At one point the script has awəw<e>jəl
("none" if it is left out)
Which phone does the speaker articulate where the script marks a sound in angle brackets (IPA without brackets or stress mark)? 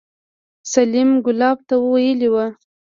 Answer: a